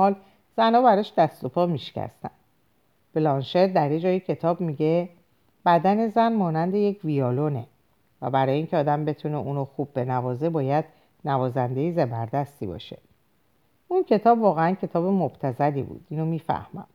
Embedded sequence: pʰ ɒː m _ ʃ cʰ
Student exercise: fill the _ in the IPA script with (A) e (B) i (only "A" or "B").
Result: B